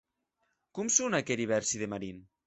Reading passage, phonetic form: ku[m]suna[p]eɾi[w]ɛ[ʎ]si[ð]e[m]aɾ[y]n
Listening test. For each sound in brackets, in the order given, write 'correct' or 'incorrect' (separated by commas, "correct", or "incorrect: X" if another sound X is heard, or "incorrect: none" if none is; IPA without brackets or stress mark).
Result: correct, incorrect: k, incorrect: β, incorrect: ɾ, correct, correct, incorrect: i